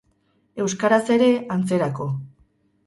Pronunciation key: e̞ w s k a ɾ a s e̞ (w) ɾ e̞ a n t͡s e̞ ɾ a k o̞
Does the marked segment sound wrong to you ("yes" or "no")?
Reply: yes